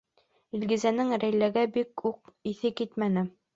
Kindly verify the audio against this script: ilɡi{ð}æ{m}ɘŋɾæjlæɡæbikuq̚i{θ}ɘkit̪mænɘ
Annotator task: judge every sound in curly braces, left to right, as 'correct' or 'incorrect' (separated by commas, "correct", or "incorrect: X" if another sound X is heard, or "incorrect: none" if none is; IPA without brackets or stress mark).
incorrect: z, incorrect: n, correct